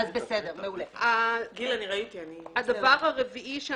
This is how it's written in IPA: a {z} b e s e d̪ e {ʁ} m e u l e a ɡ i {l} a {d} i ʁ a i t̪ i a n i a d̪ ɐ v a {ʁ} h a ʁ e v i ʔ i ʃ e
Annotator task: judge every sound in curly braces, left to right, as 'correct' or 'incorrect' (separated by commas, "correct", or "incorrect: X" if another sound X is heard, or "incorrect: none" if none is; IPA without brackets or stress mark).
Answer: correct, correct, correct, incorrect: n, correct